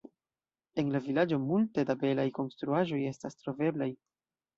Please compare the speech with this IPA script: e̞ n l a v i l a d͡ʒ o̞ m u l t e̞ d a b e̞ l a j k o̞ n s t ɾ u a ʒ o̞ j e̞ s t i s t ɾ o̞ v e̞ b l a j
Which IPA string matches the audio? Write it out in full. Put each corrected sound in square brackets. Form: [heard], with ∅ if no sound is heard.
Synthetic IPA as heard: e̞ n l a v i l a d͡ʒ o̞ m u l t e̞ d a b e̞ l a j k o̞ n s t ɾ u a ʒ o̞ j e̞ s t [a] s t ɾ o̞ v e̞ b l a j